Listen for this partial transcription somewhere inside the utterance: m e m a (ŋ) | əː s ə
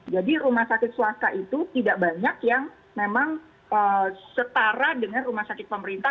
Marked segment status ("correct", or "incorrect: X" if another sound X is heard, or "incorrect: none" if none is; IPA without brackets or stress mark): correct